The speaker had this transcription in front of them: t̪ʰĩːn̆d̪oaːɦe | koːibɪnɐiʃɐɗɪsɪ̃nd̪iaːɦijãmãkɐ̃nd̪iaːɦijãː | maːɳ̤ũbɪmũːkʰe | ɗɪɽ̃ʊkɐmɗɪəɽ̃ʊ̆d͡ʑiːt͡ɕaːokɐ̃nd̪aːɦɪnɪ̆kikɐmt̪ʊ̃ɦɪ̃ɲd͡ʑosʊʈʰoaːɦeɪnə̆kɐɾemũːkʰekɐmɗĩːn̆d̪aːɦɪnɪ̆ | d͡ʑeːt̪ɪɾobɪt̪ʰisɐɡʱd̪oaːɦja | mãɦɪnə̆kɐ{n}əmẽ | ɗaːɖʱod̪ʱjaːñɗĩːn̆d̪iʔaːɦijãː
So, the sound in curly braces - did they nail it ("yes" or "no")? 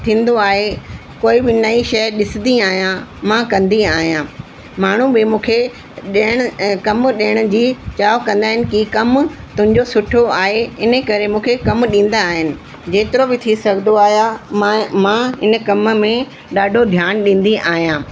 no